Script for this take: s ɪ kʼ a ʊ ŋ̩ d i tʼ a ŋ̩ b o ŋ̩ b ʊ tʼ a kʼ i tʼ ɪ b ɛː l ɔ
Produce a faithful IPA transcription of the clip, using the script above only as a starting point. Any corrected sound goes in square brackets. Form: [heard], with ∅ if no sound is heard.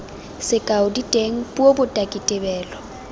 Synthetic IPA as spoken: s ɪ kʼ a ʊ [∅] d i tʼ [e] ŋ̩ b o [∅] b ʊ tʼ a kʼ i tʼ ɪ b ɛː l ɔ